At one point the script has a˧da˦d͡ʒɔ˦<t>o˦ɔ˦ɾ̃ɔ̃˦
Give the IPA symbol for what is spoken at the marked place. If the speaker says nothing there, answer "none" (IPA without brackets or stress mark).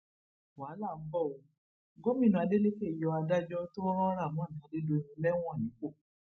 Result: t